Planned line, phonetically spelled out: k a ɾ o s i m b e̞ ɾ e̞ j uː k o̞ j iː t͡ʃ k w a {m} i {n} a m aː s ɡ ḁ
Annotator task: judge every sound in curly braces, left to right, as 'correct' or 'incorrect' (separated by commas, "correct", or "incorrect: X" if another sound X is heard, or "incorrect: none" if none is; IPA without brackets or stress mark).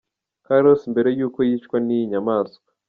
incorrect: n, incorrect: ɲ